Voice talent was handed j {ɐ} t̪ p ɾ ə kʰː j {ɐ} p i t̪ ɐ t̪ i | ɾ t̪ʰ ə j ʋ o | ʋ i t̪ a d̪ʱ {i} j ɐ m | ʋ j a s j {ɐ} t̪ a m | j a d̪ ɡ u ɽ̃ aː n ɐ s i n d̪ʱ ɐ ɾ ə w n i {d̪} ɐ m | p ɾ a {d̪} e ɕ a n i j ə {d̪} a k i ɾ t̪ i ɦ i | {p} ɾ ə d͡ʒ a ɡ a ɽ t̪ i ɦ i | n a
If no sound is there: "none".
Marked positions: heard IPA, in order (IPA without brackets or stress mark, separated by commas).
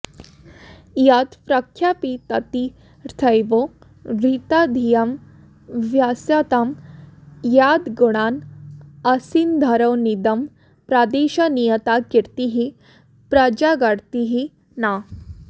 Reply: a, a, i, a, d̪, d̪, t̪, p